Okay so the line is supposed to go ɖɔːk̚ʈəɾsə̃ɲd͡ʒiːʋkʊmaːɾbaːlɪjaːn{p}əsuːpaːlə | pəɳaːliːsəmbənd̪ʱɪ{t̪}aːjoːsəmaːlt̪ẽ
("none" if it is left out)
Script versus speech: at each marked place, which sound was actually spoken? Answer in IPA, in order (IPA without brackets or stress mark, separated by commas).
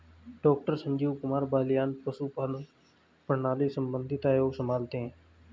p, t̪